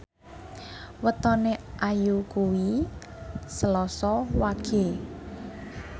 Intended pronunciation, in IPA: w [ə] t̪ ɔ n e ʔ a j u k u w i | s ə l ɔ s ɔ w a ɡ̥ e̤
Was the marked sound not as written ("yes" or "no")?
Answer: no